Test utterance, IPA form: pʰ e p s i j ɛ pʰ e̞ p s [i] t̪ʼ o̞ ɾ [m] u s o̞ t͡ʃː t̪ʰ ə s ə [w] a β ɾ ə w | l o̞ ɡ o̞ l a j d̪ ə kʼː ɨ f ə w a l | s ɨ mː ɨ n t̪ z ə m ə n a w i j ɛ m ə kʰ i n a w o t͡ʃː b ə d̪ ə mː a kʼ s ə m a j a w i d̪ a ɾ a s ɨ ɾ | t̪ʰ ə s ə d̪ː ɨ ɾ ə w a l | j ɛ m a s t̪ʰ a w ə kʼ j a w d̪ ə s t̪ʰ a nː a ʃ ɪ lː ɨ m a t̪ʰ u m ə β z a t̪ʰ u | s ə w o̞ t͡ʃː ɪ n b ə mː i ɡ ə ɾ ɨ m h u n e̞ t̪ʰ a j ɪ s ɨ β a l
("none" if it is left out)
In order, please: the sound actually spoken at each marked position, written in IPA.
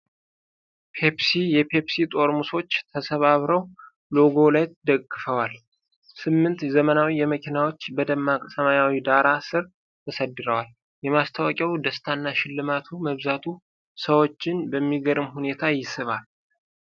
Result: i, m, β

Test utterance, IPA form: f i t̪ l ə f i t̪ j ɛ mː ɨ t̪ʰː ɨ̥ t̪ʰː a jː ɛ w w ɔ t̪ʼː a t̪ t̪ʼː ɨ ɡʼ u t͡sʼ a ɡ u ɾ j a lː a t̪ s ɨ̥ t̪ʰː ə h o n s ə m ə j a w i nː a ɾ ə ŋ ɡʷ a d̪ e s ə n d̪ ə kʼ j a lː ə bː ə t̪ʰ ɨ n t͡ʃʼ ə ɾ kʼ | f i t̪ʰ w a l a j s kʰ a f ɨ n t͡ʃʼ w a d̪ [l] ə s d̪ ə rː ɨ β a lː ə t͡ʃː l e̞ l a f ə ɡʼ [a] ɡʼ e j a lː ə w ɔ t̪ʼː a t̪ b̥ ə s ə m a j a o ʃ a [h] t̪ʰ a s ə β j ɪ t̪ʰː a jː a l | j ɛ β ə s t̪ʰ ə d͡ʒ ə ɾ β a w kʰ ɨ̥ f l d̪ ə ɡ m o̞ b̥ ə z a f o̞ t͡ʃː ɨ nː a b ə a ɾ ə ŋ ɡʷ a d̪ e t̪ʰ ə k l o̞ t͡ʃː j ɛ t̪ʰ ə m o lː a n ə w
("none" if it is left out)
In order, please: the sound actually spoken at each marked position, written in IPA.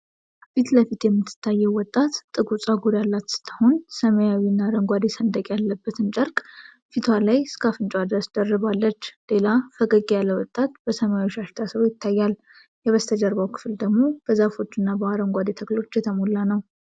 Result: ɾ, ə, ʃ

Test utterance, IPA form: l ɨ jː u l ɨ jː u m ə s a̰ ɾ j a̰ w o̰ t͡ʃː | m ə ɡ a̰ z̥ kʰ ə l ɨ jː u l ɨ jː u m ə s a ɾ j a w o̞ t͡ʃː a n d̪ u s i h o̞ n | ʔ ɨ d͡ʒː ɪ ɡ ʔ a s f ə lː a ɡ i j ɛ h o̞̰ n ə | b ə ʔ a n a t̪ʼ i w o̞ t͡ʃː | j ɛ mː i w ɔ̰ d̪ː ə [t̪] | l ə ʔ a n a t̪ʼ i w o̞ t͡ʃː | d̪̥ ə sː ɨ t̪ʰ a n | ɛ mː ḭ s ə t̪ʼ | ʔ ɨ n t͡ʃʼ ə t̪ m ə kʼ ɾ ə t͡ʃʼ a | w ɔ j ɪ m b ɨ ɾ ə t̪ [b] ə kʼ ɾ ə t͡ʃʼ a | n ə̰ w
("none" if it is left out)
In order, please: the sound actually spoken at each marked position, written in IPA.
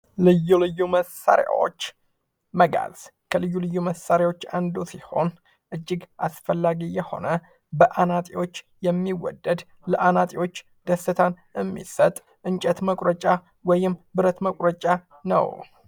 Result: d̪, m

